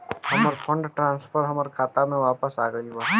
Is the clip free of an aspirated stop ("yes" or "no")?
no